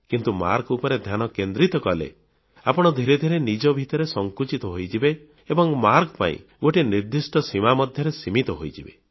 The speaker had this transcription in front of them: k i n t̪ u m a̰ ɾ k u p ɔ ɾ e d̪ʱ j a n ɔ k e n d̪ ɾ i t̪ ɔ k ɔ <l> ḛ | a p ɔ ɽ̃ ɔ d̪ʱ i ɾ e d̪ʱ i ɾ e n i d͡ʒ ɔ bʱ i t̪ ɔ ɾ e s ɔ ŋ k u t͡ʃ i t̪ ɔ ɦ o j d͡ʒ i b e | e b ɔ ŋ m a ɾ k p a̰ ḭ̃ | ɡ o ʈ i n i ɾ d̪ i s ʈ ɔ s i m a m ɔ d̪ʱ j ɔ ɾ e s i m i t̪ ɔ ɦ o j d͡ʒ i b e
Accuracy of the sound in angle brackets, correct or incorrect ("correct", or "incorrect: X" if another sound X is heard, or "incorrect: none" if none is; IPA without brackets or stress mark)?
correct